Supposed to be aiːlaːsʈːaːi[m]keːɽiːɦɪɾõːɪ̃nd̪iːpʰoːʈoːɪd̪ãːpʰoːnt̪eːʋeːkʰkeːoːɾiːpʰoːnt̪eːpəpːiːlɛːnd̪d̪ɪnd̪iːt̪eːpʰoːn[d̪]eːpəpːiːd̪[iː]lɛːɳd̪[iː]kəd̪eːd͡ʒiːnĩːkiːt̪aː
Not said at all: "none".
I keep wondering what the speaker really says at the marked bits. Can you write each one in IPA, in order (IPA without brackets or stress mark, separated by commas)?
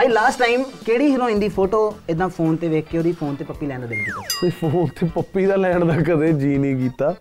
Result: m, t̪, aː, aː